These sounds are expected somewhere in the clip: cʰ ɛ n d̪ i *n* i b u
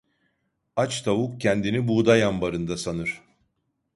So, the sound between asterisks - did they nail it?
yes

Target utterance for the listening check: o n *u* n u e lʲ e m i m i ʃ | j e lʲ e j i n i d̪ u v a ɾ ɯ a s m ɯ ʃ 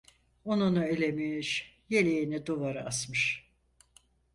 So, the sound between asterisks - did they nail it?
yes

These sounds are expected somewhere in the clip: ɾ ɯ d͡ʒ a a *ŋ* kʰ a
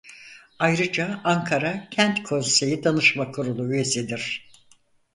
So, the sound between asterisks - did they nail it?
yes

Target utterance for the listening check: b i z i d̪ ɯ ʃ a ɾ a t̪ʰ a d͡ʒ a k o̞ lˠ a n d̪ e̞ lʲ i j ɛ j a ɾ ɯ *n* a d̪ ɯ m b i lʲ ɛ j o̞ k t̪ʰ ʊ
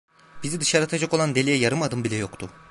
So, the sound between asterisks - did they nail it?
no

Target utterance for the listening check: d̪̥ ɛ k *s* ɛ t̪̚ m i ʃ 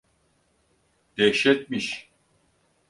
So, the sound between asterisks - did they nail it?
no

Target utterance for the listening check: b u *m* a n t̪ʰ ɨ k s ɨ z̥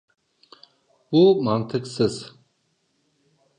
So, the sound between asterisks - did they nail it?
yes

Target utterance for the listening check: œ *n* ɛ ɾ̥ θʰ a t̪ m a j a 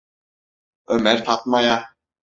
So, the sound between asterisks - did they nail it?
no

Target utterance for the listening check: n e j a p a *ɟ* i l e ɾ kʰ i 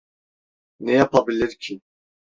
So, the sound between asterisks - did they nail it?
no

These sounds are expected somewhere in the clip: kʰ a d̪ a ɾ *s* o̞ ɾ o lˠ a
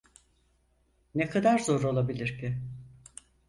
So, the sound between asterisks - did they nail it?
no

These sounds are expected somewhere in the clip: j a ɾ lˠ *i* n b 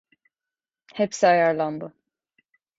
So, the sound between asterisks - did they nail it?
no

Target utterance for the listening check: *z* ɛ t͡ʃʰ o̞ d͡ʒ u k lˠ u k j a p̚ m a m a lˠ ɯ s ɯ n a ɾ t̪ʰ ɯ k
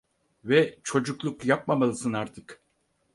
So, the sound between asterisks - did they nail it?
no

